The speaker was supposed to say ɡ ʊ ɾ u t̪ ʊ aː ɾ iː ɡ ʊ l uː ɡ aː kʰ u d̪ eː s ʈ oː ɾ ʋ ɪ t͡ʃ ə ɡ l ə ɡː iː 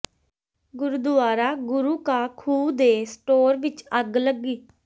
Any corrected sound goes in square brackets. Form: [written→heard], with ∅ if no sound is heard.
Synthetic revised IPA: ɡ ʊ ɾ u [t̪→d̪] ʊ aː ɾ [iː→aː] ɡ ʊ [l→ɾ] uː [ɡ→k] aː kʰ [u→uː] d̪ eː s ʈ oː ɾ ʋ ɪ t͡ʃ ə ɡ l ə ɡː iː